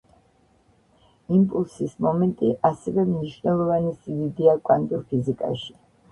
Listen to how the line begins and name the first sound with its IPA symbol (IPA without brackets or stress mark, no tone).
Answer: i